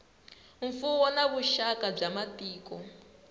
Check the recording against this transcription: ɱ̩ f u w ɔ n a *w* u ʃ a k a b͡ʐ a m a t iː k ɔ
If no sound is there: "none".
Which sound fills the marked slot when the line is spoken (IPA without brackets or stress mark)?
β